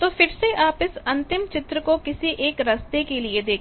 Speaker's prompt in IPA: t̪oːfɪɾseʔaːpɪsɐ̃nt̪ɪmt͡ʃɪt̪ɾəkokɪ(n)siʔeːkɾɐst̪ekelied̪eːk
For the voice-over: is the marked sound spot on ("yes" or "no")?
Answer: no